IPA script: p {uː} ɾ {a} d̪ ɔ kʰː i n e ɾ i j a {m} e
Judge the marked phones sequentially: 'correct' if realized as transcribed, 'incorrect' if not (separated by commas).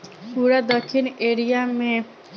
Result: incorrect, correct, correct